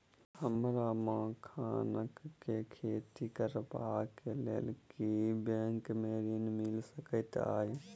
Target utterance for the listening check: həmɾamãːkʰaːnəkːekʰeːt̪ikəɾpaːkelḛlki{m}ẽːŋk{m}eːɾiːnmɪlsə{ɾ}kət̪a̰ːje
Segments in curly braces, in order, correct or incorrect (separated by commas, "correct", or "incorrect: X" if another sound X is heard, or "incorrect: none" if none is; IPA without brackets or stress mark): incorrect: b, correct, incorrect: none